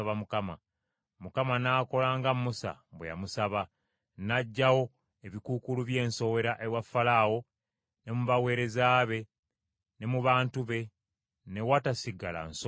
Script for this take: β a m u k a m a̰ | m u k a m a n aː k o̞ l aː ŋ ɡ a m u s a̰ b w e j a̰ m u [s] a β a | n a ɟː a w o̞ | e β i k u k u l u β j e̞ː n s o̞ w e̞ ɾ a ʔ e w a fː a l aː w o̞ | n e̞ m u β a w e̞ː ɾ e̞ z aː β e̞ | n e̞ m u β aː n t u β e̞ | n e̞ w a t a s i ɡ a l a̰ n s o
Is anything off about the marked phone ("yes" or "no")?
no